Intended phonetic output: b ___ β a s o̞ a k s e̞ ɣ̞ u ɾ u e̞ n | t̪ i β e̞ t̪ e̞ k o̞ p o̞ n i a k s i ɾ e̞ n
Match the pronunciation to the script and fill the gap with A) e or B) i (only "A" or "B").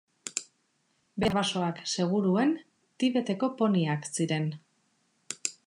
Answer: A